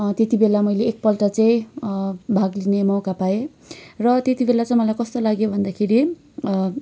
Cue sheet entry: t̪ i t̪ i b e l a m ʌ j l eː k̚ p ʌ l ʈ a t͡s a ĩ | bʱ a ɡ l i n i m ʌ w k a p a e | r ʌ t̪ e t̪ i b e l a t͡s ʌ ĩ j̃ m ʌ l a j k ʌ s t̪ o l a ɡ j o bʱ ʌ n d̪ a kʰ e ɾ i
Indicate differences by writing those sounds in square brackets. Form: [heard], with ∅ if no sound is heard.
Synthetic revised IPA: t̪ [e] t̪ i b e l a m ʌ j l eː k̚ p ʌ l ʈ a t͡s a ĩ | bʱ a ɡ l i n [e] m ʌ w k a p a e | r ʌ t̪ e t̪ i b e l a t͡s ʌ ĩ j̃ m ʌ l a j k ʌ s t̪ o l a ɡ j o bʱ ʌ n d̪ a kʰ e ɾ i